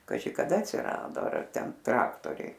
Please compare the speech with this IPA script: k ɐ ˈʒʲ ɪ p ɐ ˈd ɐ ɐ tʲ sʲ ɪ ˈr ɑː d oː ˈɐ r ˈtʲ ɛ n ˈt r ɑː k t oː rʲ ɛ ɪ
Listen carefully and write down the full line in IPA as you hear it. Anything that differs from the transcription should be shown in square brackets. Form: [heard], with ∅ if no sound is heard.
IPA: k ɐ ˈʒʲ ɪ [k] ɐ ˈd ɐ ɐ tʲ sʲ ɪ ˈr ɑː d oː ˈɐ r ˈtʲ ɛ n ˈt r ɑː k t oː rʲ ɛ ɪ